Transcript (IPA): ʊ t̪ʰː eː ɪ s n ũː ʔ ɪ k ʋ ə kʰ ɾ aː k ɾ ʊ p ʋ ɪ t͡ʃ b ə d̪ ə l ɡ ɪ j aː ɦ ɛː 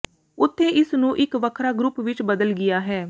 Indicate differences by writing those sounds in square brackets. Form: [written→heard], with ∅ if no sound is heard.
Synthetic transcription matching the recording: ʊ t̪ʰː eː ɪ s n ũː ʔ ɪ k ʋ ə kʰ ɾ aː [k→ɡ] ɾ ʊ p ʋ ɪ t͡ʃ b ə d̪ ə l ɡ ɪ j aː ɦ ɛː